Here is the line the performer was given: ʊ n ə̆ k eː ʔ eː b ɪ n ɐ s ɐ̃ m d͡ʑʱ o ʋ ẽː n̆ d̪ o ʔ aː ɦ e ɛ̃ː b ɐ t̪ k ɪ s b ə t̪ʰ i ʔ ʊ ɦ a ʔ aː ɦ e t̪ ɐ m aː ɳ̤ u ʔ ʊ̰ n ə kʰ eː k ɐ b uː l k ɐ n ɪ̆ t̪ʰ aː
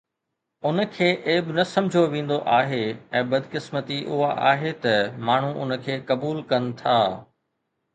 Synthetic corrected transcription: ʊ n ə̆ kʰ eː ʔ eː b ɪ n ɐ s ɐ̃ m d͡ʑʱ o ʋ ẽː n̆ d̪ o ʔ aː ɦ e ɛ̃ː b ɐ d̪ k ɪ s m ə t̪ i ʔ ʊ ɦ a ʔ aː ɦ e t̪ ɐ m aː ɳ̤ u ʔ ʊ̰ n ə kʰ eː k ɐ b uː l k ɐ n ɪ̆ t̪ʰ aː